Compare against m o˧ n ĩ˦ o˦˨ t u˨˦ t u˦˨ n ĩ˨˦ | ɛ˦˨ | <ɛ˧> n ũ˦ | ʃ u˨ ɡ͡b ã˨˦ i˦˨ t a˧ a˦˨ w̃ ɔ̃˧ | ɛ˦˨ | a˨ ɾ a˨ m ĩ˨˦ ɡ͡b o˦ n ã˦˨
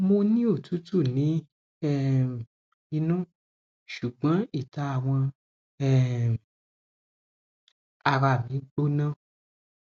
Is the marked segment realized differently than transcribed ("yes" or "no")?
yes